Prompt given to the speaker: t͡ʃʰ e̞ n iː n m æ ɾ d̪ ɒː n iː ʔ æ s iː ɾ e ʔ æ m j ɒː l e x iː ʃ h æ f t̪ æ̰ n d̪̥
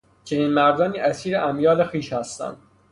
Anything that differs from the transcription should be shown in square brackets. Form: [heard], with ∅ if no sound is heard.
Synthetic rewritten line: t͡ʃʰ e̞ n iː n m æ ɾ d̪ ɒː n iː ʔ æ s iː ɾ e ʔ æ m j ɒː l e x iː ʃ h æ [s] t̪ æ̰ n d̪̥